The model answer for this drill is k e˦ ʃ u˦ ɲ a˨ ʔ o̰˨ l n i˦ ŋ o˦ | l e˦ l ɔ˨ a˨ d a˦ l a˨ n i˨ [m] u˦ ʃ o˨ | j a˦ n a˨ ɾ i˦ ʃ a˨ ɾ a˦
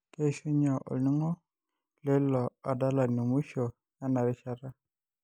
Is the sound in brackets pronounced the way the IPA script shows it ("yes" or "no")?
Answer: yes